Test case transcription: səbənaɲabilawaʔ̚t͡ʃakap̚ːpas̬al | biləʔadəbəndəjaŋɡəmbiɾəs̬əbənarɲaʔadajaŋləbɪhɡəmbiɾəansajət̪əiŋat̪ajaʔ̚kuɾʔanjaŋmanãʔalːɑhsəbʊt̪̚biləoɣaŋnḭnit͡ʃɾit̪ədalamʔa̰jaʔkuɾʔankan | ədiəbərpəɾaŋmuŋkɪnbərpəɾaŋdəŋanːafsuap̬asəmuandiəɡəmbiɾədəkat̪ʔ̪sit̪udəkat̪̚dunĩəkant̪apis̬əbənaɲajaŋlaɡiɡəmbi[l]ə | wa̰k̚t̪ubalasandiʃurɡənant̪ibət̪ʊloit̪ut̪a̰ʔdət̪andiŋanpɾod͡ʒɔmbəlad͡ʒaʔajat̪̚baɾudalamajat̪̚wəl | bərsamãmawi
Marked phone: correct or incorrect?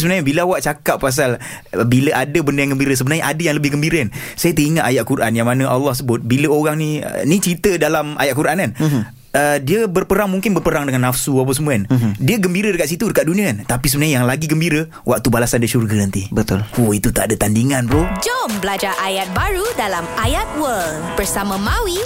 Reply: incorrect